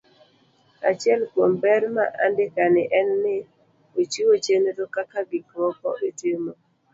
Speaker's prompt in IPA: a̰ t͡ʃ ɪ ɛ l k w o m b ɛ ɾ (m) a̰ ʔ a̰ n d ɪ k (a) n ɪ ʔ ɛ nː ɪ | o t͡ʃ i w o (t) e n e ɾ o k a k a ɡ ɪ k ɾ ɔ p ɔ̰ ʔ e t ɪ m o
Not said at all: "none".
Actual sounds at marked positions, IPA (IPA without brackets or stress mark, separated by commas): m, a, t͡ʃ